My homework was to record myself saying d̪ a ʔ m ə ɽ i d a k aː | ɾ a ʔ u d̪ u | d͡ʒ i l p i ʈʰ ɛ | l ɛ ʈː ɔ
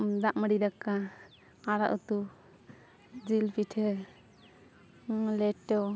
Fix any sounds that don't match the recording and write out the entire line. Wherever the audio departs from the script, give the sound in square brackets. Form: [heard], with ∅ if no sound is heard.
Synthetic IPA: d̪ a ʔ m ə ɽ i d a k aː | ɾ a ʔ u [t̪] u | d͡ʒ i l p i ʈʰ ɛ | l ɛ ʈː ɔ